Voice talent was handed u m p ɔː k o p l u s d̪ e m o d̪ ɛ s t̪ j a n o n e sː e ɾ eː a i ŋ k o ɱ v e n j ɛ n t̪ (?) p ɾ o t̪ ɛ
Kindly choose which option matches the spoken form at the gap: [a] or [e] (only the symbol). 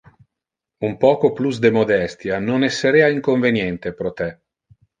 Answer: e